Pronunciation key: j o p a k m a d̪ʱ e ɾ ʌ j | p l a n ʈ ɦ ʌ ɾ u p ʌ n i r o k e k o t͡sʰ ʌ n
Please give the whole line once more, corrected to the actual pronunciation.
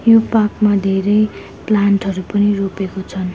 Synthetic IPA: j o p a k m a d̪ʱ e ɾ ʌ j | p l a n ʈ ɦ ʌ ɾ u p ʌ n i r o p e k o t͡sʰ ʌ n